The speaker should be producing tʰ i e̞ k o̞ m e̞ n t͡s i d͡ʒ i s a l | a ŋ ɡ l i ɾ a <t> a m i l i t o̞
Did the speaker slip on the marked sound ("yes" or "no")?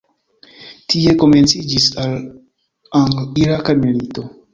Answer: yes